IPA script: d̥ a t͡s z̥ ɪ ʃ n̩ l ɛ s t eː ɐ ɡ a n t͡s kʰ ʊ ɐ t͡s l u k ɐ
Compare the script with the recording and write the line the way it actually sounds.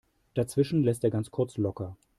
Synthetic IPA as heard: d̥ a t͡s v̥ ɪ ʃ n̩ l ɛ s t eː ɐ ɡ a n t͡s kʰ ʊ ɐ t͡s l ɔ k ɐ

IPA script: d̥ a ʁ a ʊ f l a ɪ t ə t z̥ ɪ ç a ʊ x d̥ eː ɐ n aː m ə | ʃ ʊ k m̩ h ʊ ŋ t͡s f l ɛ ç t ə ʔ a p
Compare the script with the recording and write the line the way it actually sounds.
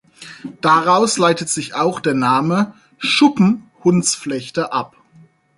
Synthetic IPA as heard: d̥ a ʁ a ʊ s l a ɪ t ə t z̥ ɪ ç a ʊ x d̥ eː ɐ n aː m ə | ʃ ʊ p m̩ h ʊ n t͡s f l ɛ ç t ə ʔ a p

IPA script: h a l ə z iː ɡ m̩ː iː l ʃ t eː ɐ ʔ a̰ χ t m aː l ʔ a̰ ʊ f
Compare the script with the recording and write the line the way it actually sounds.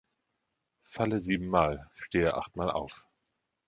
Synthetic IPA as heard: f a l ə z iː b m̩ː aː l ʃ t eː ə ʔ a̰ χ t m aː l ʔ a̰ ʊ f

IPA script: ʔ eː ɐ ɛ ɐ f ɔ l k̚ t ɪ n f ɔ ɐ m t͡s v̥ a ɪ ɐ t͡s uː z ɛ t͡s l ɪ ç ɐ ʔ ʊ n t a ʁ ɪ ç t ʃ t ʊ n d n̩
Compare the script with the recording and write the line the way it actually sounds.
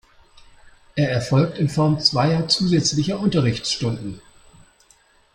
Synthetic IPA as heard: ʔ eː ɐ ɛ ɐ f ɔ l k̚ t ɪ n f ɔ ɐ m t͡s v̥ a ɪ ɐ t͡s uː z ɛ t͡s l ɪ ç ɐ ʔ ʊ n t ɐ ʁ ɪ ç t͡s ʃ t ʊ n d n̩

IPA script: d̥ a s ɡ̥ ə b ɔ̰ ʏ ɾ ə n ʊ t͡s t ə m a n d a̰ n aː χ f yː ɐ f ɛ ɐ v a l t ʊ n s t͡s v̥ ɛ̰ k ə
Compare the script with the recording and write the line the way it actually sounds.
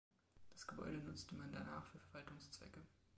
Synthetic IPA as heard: d̥ a s ɡ̥ ə b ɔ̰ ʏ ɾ ə n ʊ t͡s t ə m a n d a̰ n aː χ f yː ɐ f ɛ ɐ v a l t ʊ ŋ s t͡s v̥ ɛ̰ k ə

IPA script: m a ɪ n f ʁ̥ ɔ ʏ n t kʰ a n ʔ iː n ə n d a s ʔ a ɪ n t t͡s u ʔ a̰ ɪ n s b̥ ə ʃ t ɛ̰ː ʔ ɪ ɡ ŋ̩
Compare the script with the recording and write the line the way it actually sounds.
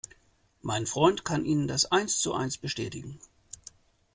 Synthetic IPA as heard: m a ɪ n f ʁ̥ ɔ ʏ n t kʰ a n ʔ iː n ə n d a s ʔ a ɪ n s t͡s u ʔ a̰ ɪ n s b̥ ə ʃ t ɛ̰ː t ɪ ɡ ŋ̩

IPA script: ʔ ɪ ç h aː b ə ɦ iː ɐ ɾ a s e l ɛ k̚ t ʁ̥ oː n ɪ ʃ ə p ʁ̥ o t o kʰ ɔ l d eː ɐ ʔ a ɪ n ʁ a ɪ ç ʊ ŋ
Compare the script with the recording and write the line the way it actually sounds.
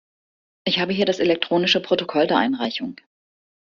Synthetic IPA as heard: ʔ ɪ ç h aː b ə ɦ iː ɐ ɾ a s e l ɛ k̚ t ʁ̥ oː n ɪ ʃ ə p ʁ̥ o t o kʰ ɔ l d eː ɐ ʔ a ɪ n ʁ a ɪ ç ʊ ŋ

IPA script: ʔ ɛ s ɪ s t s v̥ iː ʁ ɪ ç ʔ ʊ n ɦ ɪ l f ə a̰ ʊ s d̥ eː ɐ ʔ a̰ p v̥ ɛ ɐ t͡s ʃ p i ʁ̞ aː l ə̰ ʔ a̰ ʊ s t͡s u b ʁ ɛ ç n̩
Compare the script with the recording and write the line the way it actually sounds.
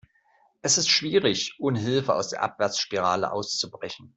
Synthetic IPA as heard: ʔ ɛ s ɪ s t ʃ v̥ iː ʁ ɪ ç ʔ ʊ n ɦ ɪ l f ə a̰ ʊ s d̥ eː ɐ ʔ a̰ p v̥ ɛ ɐ t͡s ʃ p i ʁ̞ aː l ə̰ ʔ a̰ ʊ s t͡s u b ʁ ɛ ç n̩

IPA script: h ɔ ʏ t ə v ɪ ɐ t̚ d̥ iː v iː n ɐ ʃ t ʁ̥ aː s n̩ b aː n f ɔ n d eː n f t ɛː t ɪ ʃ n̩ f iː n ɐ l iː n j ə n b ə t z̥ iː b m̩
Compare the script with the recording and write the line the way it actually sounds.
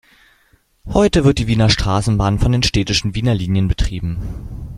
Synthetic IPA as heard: h ɔ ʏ t ə v ɪ ɐ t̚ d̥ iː v iː n ɐ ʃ t ʁ̥ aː s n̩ b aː n f ɔ n d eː n ʃ t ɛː t ɪ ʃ n̩ v iː n ɐ l iː n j ə n b ə t ʁ̥ iː b m̩

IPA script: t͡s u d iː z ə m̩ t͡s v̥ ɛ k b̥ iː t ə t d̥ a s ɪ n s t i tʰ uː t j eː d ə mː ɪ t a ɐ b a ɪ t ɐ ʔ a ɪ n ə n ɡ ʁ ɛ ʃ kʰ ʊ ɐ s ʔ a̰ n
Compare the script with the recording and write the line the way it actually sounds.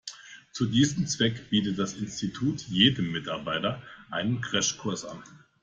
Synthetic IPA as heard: t͡s u d iː z ə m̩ t͡s v̥ ɛ k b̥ iː t ə t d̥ a s ɪ n s t i tʰ uː t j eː d ə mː ɪ t a ɐ b a ɪ t ɐ ʔ a ɪ n ə n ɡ ʁ ɛ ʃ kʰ ʊ ɐ s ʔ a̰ n

